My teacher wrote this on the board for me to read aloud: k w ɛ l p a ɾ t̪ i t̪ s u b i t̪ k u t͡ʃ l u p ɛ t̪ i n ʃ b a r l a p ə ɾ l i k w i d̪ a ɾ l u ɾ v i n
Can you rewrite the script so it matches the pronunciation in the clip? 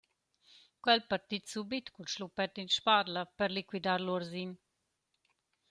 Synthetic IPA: k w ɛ l p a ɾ t̪ i t̪ s u b i t̪ k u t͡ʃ l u p ɛ t̪ i n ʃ p a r l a p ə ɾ l i k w i d̪ a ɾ l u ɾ z i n